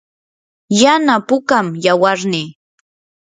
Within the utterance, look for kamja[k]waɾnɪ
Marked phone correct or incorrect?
incorrect